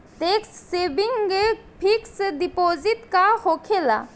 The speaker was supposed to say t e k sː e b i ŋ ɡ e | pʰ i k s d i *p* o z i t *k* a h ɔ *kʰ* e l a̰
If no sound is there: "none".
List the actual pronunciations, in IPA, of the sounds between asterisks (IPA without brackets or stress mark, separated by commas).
p, k, kʰ